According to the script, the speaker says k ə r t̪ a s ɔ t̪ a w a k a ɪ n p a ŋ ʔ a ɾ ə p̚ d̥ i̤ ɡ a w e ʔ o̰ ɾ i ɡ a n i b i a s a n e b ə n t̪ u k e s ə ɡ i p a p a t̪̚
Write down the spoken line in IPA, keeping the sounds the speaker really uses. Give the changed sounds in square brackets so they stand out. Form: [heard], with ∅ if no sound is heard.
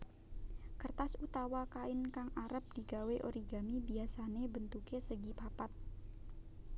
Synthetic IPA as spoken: k ə r t̪ a s [u] t̪ a w a k a ɪ n [k] a ŋ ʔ a ɾ ə p̚ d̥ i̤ ɡ a w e ʔ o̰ ɾ i ɡ a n i b i a s a n e b ə n t̪ u k e s ə ɡ i p a p a t̪̚